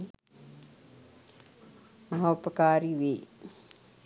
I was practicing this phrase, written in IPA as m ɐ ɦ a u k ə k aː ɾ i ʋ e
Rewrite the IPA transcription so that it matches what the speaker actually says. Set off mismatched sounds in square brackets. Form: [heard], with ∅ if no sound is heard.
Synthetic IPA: m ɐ ɦ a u [p] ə k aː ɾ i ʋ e